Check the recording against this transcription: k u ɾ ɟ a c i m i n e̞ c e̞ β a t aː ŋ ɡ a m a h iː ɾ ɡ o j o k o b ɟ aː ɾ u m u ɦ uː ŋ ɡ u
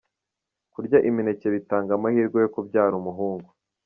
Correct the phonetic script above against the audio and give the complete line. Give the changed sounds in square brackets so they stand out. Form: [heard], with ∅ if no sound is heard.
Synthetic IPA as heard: k u ɾ ɟ a [ʔ] i m i n e̞ c e̞ β [i] t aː ŋ ɡ a m a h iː ɾ ɡ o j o k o b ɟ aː ɾ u m u ɦ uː ŋ ɡ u